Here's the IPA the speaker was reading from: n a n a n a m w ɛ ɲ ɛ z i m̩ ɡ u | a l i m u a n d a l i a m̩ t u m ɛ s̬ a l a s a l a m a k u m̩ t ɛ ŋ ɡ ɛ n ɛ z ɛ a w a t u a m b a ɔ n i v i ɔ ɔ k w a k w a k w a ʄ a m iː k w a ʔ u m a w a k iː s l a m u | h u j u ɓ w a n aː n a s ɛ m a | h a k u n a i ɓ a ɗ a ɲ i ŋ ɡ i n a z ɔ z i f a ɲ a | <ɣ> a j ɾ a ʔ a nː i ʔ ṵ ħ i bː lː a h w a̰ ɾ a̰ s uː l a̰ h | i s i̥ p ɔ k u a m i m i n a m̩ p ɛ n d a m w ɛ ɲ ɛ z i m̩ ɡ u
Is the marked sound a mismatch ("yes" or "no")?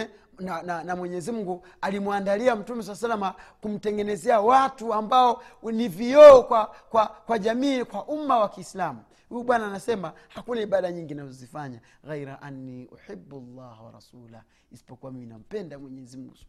no